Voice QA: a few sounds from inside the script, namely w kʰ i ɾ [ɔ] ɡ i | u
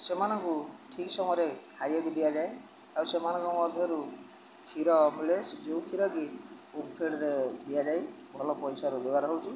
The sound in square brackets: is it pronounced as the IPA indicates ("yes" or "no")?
yes